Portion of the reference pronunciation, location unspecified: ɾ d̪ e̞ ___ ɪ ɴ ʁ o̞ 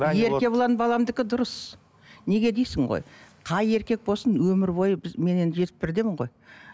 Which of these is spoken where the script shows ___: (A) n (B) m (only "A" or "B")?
B